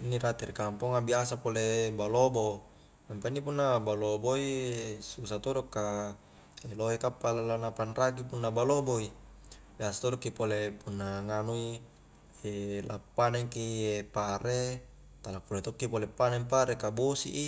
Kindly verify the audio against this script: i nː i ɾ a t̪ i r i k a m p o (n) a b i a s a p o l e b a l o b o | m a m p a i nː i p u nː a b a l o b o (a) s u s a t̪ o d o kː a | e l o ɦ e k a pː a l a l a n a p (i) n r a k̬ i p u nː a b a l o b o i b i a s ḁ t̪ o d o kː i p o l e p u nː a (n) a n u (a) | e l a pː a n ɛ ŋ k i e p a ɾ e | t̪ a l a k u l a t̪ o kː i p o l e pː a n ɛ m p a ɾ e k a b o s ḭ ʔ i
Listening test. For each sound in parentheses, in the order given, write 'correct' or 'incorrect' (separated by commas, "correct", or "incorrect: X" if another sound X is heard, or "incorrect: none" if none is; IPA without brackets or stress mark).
incorrect: ŋ, incorrect: i, incorrect: a, incorrect: ŋ, incorrect: i